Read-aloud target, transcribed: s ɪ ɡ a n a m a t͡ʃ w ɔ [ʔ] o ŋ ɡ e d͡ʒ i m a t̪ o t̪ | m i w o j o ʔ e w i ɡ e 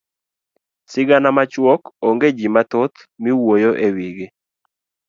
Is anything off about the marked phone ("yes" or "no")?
yes